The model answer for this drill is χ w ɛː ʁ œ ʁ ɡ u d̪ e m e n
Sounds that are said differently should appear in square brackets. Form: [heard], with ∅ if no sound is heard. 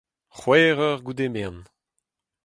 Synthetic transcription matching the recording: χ w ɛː ʁ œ ʁ ɡ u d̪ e m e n